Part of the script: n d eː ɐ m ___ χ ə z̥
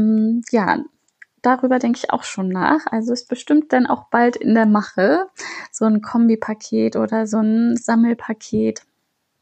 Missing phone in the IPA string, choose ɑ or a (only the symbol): a